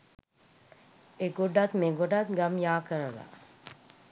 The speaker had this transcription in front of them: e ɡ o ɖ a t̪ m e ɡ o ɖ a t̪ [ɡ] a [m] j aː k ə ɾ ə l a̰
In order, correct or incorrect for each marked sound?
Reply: correct, correct

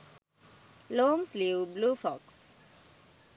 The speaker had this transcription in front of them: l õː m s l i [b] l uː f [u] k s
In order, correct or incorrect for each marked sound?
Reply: correct, incorrect: ɔ

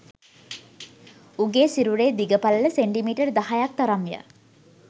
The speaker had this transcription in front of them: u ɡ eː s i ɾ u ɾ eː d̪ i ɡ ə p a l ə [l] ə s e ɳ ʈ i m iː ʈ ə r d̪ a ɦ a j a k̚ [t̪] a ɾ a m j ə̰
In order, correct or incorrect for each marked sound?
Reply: correct, correct

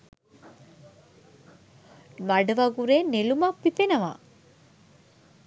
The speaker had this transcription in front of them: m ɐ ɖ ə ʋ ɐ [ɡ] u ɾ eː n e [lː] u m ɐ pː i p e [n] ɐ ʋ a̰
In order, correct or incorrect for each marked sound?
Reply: correct, incorrect: l, correct

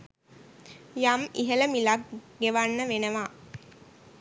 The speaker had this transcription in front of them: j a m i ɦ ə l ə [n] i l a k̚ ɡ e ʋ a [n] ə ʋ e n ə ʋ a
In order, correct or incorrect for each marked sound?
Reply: incorrect: m, incorrect: nː

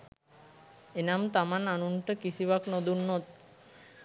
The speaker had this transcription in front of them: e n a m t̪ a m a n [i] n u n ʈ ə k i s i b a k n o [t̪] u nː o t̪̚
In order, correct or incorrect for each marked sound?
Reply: incorrect: a, incorrect: d̪

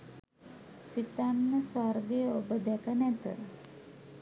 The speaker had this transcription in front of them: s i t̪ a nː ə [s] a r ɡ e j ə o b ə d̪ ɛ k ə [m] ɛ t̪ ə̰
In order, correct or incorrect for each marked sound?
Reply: correct, incorrect: n

